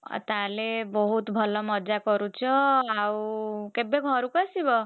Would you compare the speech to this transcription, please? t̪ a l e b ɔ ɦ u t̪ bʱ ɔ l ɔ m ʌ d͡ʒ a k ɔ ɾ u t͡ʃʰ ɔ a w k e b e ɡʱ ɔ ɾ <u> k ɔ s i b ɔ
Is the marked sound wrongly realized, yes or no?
no